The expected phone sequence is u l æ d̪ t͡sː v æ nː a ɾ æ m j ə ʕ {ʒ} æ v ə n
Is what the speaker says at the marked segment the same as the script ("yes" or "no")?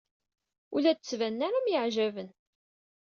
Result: yes